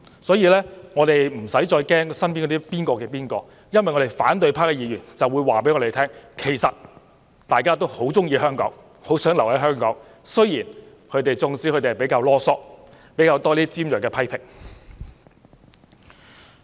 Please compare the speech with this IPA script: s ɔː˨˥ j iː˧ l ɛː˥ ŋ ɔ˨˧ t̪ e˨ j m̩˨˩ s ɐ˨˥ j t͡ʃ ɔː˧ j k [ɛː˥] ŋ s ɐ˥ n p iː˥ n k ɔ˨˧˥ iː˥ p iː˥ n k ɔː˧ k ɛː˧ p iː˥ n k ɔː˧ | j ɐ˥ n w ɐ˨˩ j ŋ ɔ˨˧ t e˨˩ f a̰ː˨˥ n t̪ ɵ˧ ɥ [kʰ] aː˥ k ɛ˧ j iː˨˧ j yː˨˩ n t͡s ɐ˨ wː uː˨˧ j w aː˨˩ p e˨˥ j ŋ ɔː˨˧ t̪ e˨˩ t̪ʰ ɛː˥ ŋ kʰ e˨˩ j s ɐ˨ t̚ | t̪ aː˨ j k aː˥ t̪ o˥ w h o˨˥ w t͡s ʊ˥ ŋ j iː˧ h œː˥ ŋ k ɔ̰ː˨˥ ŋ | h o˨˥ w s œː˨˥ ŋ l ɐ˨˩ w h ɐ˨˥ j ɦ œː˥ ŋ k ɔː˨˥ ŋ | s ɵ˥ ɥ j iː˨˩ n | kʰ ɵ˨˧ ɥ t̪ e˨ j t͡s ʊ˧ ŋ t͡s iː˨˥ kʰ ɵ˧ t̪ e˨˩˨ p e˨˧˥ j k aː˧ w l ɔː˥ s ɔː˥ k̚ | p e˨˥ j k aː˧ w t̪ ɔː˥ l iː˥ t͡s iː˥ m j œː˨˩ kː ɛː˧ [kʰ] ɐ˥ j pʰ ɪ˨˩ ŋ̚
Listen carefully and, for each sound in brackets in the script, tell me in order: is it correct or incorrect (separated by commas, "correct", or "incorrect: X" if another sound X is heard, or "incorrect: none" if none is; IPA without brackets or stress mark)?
correct, incorrect: pʰ, incorrect: pʰ